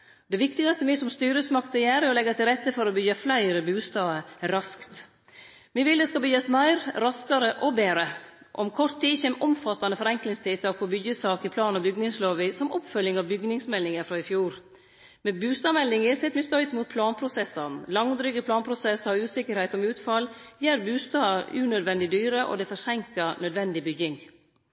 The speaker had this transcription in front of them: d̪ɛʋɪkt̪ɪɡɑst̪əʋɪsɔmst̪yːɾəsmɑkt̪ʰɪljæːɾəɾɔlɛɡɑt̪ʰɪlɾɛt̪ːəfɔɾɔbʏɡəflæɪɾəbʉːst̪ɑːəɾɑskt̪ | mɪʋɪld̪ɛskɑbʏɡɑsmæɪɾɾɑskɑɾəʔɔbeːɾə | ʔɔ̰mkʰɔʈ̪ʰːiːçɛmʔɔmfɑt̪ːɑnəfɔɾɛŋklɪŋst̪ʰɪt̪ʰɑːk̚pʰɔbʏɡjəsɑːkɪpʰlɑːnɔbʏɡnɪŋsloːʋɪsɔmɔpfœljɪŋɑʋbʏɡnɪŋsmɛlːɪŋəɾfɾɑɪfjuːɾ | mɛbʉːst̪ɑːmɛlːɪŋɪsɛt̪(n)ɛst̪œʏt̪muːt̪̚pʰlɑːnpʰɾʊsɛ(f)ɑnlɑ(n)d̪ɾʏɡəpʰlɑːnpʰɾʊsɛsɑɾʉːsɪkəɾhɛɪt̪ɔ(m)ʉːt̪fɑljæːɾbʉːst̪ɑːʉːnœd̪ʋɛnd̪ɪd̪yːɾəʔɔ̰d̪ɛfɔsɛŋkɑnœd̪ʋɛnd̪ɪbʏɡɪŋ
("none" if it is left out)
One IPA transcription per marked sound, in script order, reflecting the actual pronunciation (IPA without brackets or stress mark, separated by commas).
m, s, ŋ, m